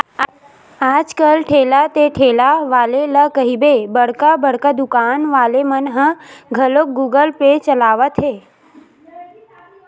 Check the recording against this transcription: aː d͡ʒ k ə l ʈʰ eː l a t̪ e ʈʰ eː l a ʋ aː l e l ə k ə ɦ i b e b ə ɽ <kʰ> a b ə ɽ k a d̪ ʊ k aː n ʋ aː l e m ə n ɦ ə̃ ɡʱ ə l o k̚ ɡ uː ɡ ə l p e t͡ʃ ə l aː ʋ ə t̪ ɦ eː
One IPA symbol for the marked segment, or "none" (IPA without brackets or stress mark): k